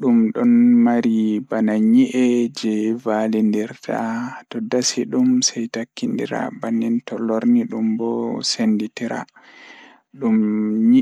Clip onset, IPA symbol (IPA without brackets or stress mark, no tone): ɗ